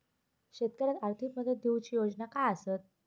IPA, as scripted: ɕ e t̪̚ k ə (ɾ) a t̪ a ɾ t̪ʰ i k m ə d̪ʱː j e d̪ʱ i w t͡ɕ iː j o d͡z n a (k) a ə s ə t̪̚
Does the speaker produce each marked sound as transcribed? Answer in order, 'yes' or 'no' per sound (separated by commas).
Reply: yes, yes